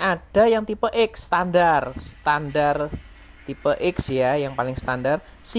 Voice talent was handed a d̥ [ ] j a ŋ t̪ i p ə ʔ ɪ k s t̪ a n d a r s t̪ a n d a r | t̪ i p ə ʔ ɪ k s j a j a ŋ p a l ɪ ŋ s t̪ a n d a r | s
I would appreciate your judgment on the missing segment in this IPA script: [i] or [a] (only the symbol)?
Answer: a